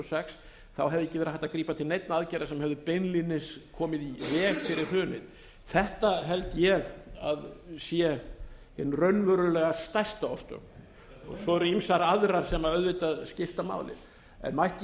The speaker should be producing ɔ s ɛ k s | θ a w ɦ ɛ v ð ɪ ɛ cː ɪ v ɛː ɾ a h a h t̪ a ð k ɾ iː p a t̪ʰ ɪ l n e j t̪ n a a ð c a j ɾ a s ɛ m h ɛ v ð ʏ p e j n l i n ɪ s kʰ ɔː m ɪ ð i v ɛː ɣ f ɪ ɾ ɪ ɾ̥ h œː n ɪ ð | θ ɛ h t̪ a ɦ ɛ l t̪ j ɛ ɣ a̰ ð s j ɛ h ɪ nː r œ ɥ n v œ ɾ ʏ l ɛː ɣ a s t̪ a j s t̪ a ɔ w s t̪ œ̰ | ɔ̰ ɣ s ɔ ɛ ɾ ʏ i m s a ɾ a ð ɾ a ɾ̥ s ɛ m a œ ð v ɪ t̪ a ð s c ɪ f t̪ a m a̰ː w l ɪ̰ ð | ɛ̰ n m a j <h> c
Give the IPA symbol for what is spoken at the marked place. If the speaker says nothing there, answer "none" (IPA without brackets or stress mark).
h